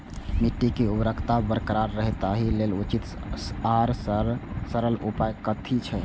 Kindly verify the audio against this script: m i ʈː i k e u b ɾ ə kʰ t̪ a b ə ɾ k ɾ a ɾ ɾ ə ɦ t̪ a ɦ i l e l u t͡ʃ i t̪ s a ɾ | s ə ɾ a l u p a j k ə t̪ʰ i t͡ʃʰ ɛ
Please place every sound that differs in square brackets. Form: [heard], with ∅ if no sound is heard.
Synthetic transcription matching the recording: m i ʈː i k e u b ɾ ə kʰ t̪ a b ə ɾ k ɾ a ɾ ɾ ə ɦ t̪ a ɦ i l e l u t͡ʃ i t̪ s a ɾ | s ə ɾ [ə] l u p a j k ə t̪ʰ i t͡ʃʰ ɛ